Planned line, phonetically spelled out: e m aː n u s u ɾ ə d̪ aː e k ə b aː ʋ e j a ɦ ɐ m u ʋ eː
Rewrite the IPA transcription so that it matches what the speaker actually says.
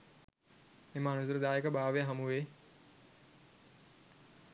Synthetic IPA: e m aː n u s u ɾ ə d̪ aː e k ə b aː ʋ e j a ɦ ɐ m u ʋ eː